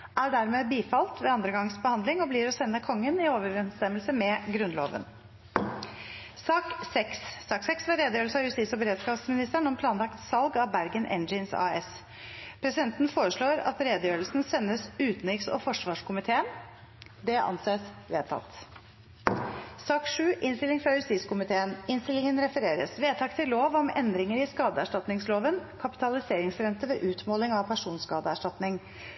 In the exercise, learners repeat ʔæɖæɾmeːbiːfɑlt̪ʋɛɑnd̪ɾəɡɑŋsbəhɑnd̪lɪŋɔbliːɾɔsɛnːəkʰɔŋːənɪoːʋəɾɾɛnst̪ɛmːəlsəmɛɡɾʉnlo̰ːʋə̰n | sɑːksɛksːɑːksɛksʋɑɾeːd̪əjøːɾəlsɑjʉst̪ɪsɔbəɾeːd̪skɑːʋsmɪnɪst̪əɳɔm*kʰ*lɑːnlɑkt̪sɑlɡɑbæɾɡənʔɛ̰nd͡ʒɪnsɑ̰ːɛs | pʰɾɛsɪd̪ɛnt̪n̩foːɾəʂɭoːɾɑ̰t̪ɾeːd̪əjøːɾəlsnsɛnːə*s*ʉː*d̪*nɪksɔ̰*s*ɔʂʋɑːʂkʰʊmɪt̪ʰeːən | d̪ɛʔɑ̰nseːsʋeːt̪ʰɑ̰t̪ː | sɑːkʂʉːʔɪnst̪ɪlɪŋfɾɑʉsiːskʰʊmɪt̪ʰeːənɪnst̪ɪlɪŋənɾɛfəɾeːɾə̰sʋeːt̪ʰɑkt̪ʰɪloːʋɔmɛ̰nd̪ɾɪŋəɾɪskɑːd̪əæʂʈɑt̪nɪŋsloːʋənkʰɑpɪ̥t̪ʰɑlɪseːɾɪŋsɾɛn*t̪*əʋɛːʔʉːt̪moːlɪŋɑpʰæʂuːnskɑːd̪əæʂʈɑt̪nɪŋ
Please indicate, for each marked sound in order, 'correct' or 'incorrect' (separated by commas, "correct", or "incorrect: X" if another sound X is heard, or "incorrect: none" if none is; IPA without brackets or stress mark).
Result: incorrect: pʰ, correct, incorrect: t̪, incorrect: f, correct